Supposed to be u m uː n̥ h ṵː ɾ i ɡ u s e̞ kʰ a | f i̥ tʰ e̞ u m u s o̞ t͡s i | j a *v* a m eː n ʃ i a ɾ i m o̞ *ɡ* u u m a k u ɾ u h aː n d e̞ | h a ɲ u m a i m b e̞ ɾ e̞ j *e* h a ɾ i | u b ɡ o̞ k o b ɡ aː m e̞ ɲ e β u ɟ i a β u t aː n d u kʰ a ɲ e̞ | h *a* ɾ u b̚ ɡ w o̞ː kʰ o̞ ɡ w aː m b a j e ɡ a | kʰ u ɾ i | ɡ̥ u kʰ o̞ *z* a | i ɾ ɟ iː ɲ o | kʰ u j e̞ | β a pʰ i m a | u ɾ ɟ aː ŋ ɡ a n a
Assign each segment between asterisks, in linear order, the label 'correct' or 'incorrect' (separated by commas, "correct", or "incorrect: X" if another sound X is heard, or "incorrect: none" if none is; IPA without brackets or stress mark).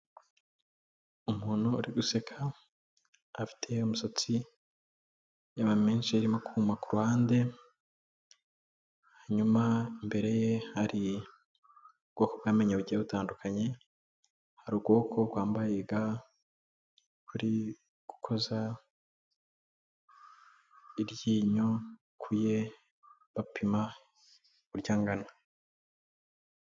incorrect: β, incorrect: k, correct, correct, correct